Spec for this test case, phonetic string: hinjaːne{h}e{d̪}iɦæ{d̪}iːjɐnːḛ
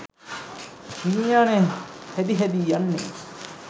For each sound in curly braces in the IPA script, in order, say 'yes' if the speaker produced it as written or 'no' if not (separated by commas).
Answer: yes, yes, yes